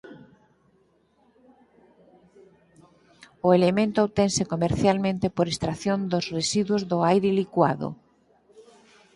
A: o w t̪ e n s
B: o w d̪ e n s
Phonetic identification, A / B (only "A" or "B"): A